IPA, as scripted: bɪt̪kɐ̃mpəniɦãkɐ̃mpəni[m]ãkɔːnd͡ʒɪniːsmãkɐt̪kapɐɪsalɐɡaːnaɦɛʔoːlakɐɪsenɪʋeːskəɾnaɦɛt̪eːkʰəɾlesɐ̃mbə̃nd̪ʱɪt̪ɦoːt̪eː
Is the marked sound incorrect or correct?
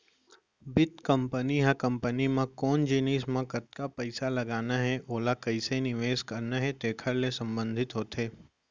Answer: correct